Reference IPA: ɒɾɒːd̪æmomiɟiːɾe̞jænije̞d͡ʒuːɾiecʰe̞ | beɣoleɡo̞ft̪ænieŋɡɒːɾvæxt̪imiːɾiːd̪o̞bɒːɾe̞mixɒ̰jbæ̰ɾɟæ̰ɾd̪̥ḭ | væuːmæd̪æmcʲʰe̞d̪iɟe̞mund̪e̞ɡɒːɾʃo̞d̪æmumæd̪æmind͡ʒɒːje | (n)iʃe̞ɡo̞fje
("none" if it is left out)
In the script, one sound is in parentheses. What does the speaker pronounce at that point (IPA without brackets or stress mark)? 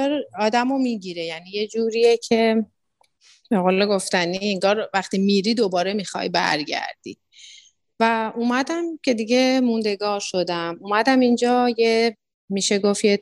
m